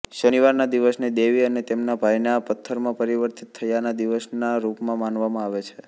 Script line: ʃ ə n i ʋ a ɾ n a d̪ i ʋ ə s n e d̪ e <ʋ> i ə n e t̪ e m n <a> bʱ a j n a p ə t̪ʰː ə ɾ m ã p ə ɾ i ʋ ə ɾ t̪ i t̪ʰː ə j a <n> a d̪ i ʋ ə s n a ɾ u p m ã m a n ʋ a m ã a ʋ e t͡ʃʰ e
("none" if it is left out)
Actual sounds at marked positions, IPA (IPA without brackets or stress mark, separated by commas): ʋ, a, n